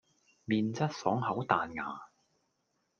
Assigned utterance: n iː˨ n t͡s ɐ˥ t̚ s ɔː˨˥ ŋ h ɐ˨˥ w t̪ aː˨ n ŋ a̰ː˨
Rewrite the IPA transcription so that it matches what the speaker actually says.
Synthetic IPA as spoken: m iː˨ n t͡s ɐ˥ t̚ s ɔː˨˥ ŋ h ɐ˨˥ w t̪ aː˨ n ŋ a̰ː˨